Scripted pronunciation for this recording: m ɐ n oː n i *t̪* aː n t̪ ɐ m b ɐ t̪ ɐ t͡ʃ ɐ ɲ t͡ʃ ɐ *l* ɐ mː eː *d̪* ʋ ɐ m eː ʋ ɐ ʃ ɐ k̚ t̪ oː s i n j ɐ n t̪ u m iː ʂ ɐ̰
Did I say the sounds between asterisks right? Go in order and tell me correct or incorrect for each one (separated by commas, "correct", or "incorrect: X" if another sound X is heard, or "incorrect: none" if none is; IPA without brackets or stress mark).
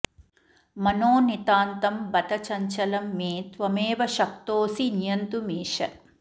correct, correct, incorrect: t̪